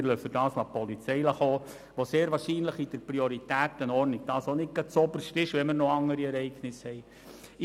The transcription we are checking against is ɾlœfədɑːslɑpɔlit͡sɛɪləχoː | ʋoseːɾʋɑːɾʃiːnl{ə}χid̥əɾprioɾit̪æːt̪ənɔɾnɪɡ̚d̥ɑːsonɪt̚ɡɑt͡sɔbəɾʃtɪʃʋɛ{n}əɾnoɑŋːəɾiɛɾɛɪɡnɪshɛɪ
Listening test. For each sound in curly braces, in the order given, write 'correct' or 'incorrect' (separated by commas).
correct, incorrect